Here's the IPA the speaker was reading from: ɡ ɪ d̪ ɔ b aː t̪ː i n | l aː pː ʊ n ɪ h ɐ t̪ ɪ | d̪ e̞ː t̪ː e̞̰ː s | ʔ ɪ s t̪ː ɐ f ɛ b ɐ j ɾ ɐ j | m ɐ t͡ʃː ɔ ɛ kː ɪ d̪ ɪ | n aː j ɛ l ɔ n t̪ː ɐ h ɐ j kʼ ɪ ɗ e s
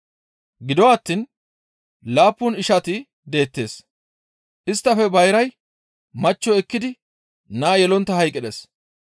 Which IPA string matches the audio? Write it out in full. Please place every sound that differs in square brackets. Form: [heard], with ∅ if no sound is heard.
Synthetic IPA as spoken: ɡ ɪ d̪ ɔ [w] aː t̪ː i n | l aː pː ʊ n ɪ [ʃ] ɐ t̪ ɪ | d̪ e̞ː t̪ː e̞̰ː s | ʔ ɪ s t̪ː ɐ f ɛ b ɐ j ɾ ɐ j | m ɐ t͡ʃː ɔ ɛ kː ɪ d̪ ɪ | n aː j ɛ l ɔ n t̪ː ɐ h ɐ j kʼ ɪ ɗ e s